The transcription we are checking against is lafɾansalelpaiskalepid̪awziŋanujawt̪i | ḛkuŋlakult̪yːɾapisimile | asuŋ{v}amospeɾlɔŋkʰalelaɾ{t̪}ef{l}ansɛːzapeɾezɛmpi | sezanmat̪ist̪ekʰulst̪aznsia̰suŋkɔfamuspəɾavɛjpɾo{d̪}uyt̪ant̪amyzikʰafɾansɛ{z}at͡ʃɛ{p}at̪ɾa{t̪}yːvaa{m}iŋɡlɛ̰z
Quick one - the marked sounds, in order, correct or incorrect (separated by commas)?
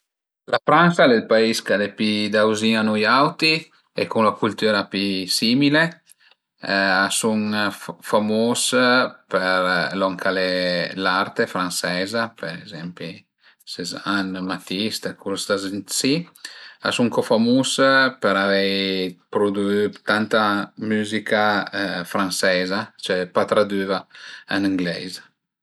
incorrect, correct, incorrect, correct, correct, correct, incorrect, incorrect